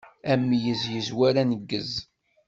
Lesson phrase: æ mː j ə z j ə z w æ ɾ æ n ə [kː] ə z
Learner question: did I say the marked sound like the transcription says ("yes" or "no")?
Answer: no